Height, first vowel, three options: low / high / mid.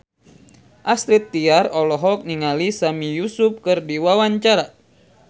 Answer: low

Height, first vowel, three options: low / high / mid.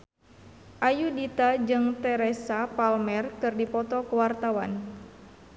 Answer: low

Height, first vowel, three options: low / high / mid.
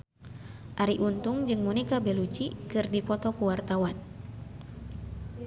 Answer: low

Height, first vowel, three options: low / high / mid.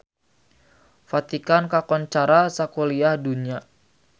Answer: low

